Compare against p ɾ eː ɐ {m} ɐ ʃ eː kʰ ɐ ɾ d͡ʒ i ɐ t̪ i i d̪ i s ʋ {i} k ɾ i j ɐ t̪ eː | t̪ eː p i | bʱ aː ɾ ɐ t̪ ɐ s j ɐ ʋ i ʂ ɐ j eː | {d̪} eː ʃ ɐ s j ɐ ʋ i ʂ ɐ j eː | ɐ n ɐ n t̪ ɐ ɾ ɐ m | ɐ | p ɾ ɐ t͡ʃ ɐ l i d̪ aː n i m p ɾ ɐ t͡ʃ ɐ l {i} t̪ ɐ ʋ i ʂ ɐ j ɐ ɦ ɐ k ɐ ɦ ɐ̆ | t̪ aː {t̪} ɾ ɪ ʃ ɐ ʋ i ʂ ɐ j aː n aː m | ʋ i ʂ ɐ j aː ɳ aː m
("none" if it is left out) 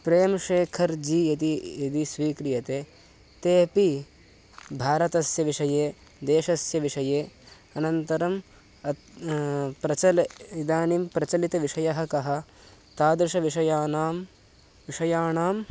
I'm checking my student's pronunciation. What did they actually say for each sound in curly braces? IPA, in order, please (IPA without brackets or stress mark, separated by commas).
m, iː, d̪, i, d̪